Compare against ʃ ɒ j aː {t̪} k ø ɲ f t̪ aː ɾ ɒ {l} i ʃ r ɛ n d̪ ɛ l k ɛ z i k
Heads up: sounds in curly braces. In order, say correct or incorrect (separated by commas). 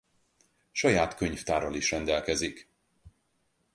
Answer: correct, correct